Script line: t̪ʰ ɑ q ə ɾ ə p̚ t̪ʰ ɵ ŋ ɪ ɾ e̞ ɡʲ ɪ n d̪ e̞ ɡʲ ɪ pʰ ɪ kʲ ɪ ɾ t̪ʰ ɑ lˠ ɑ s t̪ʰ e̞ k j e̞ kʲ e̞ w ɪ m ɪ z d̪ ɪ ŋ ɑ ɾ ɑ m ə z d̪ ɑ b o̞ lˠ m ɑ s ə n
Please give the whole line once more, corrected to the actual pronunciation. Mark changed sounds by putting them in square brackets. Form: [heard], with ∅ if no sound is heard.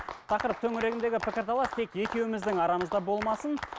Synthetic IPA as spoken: t̪ʰ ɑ q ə ɾ ə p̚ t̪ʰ ɵ ŋ ɪ ɾ e̞ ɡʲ ɪ n d̪ e̞ ɡʲ ɪ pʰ ɪ kʲ ɪ ɾ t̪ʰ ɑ lˠ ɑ s t̪ʰ e̞ k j e̞ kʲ e̞ w ɪ m ɪ z d̪ ɪ ŋ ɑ ɾ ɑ m ə z d̪ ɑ b o̞ lˠ m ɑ s ə n